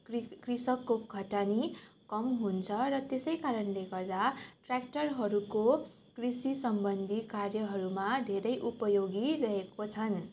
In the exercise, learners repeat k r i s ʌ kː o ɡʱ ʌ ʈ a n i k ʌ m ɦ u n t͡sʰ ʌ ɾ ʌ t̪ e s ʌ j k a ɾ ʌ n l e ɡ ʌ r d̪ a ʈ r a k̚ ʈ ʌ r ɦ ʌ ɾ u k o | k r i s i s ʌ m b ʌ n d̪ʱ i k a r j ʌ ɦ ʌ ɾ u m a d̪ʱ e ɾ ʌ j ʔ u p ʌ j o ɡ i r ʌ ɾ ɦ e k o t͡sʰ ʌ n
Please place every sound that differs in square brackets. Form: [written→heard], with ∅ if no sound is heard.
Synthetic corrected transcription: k r i s ʌ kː o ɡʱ ʌ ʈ a n i k ʌ m ɦ u n t͡sʰ ʌ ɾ ʌ t̪ e s ʌ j k a ɾ ʌ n l e ɡ ʌ r d̪ a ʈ r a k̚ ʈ ʌ r ɦ ʌ ɾ u k o | k r i s i s ʌ m b ʌ n d̪ʱ i k a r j ʌ ɦ ʌ ɾ u m a d̪ʱ e ɾ ʌ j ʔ u p ʌ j o ɡ i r ʌ [ɾ→∅] ɦ e k o t͡sʰ ʌ n